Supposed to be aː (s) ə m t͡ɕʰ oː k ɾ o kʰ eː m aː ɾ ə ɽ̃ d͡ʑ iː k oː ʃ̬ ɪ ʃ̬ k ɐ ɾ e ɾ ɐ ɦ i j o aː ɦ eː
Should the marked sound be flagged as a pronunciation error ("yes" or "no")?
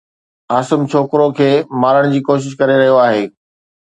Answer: no